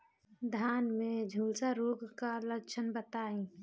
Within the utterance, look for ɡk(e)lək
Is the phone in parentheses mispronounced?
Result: yes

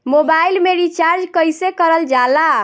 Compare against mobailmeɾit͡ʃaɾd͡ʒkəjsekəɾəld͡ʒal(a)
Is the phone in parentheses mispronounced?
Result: no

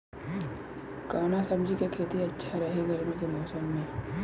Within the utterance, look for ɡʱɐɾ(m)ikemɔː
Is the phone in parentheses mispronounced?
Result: no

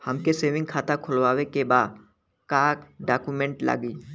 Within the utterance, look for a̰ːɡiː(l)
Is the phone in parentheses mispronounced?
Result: yes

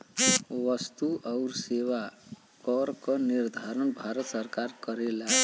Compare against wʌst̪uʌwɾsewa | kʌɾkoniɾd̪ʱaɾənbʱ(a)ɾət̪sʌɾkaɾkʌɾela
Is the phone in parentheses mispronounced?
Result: no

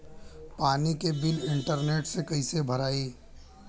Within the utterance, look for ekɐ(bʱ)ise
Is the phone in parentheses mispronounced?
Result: yes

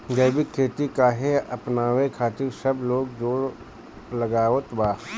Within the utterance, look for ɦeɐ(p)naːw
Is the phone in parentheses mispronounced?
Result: no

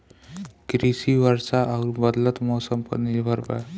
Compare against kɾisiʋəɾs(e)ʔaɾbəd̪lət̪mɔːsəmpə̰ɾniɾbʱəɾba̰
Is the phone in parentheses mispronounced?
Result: yes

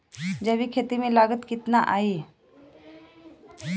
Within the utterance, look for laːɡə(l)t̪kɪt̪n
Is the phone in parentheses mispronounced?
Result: yes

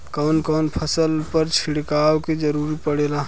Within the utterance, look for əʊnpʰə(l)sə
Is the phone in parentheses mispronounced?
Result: yes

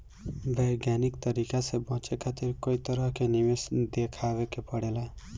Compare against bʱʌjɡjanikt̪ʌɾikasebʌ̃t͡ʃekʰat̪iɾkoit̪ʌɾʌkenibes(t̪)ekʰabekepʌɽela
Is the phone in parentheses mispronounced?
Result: yes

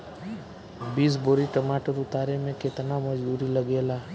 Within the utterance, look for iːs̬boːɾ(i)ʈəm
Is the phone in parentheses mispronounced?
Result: no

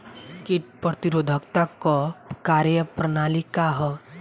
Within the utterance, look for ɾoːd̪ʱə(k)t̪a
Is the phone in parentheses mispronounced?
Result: no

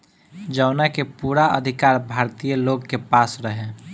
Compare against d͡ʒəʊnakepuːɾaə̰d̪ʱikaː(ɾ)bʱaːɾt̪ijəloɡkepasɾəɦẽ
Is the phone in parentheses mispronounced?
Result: no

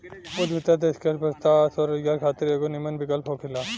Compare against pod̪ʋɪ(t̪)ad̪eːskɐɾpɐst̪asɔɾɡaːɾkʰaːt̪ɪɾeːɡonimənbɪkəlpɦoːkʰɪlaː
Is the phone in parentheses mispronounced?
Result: no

